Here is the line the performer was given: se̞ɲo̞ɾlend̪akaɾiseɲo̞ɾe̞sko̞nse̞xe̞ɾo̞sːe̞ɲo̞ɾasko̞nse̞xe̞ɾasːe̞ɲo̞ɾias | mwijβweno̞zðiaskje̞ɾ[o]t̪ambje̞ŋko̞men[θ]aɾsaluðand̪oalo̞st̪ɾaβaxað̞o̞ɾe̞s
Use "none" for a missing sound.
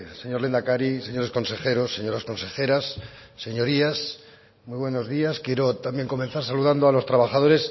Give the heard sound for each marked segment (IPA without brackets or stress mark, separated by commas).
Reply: o, θ